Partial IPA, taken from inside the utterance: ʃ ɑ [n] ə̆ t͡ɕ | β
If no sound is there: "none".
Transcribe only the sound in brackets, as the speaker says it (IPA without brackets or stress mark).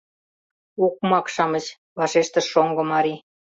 m